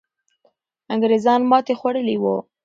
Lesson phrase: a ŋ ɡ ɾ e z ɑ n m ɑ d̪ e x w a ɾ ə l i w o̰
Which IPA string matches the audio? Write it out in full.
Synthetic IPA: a ŋ ɡ ɾ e z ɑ n m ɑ t̪ e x w a ɽ ə l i w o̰